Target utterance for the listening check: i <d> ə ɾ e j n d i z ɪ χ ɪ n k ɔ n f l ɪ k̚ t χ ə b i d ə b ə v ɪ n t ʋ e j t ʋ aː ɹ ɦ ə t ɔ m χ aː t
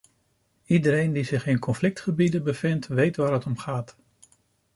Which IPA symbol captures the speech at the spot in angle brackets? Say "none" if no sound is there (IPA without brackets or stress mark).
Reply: d